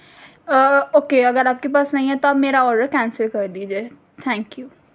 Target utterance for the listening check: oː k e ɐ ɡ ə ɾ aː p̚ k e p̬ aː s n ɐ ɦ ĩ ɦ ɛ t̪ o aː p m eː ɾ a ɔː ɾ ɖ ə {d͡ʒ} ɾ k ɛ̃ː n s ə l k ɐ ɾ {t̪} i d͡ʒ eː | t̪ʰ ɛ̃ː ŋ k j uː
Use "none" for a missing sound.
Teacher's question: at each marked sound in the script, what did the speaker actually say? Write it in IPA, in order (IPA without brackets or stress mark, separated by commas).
none, d̪